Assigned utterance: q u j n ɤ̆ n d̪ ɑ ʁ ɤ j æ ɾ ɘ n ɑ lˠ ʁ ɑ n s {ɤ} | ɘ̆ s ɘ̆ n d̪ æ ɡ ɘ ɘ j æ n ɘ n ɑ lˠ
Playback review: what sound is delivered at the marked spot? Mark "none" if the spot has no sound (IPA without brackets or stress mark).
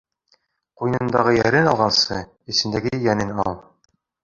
ɤ